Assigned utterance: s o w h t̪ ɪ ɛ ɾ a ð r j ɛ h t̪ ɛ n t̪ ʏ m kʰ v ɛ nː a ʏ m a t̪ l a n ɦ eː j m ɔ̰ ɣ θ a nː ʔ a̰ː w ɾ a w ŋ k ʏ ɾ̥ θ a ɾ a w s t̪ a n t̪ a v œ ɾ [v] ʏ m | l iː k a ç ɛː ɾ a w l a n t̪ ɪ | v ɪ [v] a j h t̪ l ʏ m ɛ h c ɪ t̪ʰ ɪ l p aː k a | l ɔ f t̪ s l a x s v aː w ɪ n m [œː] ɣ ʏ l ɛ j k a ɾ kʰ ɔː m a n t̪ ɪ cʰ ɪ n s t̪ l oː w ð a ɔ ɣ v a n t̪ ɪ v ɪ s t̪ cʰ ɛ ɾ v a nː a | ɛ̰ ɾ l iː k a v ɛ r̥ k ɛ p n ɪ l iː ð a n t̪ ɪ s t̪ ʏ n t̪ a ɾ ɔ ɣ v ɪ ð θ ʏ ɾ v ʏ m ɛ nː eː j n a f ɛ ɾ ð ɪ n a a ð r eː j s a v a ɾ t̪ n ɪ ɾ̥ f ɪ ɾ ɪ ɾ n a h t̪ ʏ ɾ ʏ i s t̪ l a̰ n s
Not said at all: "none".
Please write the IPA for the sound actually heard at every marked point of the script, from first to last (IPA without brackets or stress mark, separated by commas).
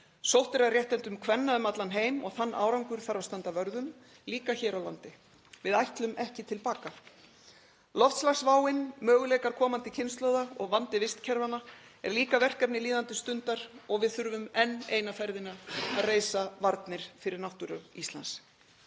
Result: ð, ð, œː